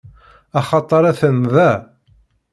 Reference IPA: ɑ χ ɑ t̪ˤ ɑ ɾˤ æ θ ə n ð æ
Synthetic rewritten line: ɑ χ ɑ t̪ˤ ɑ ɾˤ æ θ ə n ð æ